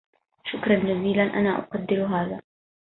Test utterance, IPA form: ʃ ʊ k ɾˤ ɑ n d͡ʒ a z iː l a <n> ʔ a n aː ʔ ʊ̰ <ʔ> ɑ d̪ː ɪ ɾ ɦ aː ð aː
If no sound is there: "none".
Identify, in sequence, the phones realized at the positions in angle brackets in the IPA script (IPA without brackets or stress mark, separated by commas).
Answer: n, q